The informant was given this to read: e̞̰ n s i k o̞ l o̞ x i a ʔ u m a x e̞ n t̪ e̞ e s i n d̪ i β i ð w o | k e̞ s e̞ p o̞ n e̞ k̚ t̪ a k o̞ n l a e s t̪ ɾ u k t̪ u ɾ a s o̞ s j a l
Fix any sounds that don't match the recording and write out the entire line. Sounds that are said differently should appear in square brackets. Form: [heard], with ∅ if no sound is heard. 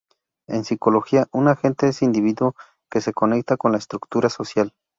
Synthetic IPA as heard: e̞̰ n s i k o̞ l o̞ x i a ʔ u [n] a x e̞ n t̪ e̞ e s i n d̪ i β i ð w o | k e̞ s e̞ [k] o̞ n e̞ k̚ t̪ a k o̞ n l a e s t̪ ɾ u k t̪ u ɾ a s o̞ s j a l